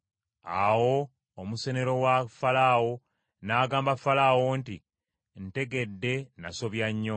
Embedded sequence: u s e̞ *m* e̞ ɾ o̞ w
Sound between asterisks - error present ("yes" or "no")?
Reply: yes